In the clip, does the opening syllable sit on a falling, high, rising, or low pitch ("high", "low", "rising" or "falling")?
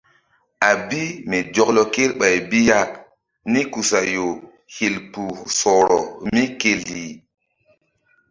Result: low